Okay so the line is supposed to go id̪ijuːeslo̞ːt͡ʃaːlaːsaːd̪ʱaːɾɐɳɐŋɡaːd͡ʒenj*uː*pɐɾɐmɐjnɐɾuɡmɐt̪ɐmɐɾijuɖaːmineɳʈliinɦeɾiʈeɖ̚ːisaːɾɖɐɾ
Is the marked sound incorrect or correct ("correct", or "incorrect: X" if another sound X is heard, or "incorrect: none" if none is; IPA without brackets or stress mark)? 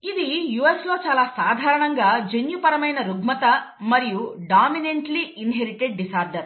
incorrect: u